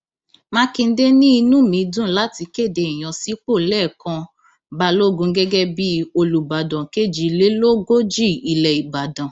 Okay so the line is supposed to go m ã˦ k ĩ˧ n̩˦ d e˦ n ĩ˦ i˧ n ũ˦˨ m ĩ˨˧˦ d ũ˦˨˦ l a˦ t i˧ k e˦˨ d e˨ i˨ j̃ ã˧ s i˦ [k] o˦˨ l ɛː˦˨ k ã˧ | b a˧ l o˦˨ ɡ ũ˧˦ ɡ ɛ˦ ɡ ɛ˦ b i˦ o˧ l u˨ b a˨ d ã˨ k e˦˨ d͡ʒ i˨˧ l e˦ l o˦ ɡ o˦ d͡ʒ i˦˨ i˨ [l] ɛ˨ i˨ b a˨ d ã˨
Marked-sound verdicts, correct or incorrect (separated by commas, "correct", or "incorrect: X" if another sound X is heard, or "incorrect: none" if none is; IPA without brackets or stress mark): incorrect: k͡p, correct